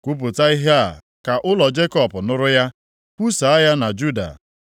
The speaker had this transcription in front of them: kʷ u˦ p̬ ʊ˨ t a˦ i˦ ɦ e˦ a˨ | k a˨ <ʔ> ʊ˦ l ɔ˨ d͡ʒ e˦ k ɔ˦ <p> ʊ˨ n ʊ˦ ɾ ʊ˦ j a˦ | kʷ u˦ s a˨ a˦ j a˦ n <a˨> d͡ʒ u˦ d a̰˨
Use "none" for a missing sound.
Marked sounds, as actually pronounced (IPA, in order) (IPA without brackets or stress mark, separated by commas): ʔ, p, a˨